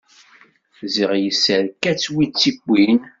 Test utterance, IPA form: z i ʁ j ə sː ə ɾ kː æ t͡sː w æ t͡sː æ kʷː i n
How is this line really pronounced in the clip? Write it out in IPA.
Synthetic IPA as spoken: z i ʁ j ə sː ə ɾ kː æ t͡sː w i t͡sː i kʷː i n